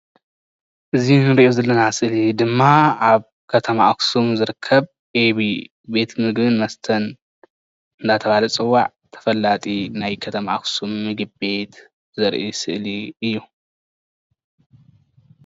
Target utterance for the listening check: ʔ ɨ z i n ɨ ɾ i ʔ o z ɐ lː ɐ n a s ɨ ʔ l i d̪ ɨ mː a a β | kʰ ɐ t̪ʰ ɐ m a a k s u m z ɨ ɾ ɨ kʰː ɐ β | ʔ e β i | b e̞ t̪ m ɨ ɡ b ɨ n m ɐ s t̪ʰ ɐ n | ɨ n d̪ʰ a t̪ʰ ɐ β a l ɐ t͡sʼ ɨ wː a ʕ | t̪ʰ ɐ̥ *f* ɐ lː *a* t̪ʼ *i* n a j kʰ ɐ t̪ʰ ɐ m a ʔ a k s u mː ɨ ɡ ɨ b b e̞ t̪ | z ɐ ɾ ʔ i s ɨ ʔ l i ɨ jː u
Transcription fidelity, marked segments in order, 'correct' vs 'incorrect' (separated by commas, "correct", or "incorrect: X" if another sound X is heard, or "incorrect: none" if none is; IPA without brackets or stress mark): correct, correct, correct